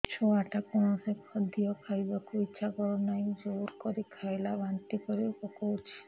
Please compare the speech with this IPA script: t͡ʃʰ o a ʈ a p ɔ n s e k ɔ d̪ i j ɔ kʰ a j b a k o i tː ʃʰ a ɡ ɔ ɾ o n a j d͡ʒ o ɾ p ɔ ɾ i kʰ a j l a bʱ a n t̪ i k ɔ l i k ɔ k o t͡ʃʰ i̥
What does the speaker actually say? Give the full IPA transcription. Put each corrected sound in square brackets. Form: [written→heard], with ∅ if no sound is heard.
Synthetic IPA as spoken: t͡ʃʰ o a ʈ a [p→k] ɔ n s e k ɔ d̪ i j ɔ kʰ a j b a k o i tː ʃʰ a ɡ ɔ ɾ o n a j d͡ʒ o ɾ [p→k] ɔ ɾ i kʰ a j l a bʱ a n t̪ i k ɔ [l→ɾ] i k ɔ k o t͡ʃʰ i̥